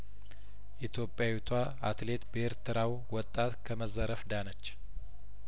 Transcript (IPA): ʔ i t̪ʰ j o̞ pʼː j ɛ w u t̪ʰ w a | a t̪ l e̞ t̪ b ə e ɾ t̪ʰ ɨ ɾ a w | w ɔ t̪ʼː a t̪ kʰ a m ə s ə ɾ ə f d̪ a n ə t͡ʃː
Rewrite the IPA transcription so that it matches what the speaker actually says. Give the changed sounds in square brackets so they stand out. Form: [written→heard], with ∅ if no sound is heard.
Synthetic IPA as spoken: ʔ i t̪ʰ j o̞ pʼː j [ɛ→a] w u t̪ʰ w a | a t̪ l e̞ t̪ b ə e ɾ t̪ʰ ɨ ɾ a w | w ɔ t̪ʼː a t̪ kʰ [a→ə] m ə [s→z] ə ɾ ə f d̪ a n ə t͡ʃː